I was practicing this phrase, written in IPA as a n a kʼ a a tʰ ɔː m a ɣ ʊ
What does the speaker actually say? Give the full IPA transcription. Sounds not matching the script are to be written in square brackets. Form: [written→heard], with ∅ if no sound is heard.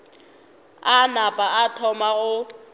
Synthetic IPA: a n a [kʼ→pʼ] a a tʰ [ɔː→ɔ] m a ɣ ʊ